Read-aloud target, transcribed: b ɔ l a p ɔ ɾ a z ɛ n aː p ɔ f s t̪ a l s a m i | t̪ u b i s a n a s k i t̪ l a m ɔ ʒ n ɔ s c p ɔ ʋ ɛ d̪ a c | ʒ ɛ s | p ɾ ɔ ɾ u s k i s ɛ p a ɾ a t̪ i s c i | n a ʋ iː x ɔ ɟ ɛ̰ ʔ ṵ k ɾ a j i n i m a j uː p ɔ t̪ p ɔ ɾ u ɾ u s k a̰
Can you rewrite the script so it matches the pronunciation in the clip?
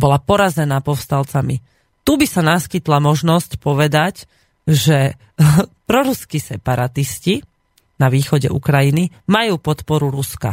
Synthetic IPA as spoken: b ɔ l a p ɔ ɾ a z ɛ n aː p ɔ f s t̪ a l t͡s a m i | t̪ u b i s a n a s k i t̪ l a m ɔ ʒ n ɔ s c p ɔ ʋ ɛ d̪ a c | ʒ ɛ | p ɾ ɔ ɾ u s k i s ɛ p a ɾ a t̪ i s c i | n a ʋ iː x ɔ ɟ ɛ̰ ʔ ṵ k ɾ a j i n i m a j uː p ɔ t̪ p ɔ ɾ u ɾ u s k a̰